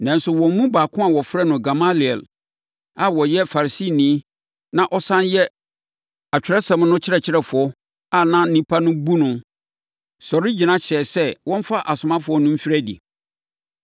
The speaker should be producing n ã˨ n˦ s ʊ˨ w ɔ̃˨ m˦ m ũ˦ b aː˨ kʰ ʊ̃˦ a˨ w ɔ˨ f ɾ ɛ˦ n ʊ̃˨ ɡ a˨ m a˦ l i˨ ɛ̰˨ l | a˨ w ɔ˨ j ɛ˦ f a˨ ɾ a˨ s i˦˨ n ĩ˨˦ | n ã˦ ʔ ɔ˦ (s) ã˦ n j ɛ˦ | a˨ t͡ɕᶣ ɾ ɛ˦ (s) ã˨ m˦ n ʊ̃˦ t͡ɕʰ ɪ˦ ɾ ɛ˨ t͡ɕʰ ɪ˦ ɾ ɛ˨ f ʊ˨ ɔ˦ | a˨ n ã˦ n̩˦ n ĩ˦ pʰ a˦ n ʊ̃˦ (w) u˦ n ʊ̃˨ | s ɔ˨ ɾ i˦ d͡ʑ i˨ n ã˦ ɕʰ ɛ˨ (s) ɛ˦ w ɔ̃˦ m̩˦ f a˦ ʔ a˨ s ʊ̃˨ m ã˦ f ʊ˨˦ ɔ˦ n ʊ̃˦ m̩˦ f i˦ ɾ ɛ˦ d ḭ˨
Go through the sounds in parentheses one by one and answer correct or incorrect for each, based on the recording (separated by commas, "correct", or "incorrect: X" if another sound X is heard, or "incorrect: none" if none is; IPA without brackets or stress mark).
correct, correct, incorrect: b, correct